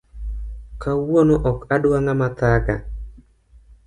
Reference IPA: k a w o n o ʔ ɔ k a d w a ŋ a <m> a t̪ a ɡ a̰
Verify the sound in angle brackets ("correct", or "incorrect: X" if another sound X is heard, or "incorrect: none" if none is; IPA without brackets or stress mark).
correct